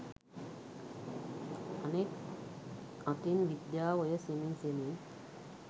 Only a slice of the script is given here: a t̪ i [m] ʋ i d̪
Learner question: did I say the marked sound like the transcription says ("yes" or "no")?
no